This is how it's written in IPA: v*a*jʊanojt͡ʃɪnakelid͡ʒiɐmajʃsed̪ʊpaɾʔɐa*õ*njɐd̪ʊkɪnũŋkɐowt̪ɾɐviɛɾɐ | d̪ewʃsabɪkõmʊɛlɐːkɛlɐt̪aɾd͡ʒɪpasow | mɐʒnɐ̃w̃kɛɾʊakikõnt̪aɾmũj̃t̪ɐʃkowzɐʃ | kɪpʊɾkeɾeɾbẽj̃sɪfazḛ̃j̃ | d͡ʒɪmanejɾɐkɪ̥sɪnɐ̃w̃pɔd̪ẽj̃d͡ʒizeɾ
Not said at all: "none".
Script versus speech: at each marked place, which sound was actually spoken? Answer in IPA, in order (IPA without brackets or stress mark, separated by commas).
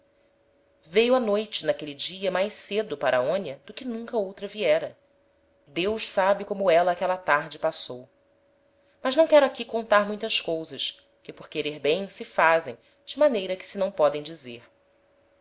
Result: e, õ